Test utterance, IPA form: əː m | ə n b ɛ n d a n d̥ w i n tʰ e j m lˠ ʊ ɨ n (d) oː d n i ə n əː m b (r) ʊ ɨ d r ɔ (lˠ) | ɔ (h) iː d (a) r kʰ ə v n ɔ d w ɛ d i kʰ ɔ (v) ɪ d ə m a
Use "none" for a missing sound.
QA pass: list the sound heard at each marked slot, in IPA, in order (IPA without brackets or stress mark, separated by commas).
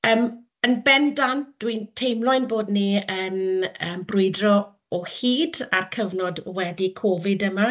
b, r, none, h, a, v